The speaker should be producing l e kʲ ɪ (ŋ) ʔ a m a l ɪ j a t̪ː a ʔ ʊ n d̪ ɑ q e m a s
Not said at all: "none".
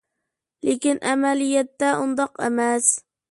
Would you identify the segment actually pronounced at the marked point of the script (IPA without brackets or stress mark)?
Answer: n